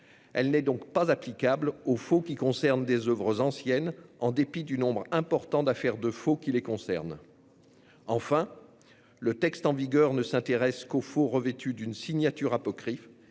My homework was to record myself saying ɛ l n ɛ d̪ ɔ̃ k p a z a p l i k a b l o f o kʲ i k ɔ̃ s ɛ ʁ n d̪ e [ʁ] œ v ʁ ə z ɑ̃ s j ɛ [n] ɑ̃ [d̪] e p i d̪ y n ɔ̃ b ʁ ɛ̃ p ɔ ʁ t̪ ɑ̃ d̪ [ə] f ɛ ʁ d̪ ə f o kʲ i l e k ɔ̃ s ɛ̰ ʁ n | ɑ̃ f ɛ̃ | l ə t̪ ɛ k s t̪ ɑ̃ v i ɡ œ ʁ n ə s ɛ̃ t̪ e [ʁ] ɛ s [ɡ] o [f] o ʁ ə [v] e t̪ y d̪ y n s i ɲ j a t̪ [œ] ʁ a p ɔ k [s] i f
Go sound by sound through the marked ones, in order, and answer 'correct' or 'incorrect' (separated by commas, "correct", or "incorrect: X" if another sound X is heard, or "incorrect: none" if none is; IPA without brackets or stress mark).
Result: incorrect: z, correct, correct, incorrect: a, correct, incorrect: k, correct, correct, incorrect: y, incorrect: χ